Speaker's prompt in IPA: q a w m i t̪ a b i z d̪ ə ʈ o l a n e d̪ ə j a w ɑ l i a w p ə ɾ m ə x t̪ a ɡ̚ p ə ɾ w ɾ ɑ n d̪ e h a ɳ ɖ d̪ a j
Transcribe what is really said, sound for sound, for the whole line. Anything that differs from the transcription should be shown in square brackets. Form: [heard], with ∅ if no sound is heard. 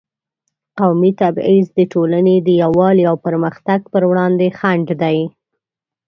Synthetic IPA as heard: q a w m i t̪ a b i z d̪ ə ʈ o l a n e d̪ ə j a w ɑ l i a w p ə ɾ m ə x t̪ a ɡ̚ p ə ɾ w [ɽ] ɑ n d̪ e [x] a ɳ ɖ d̪ a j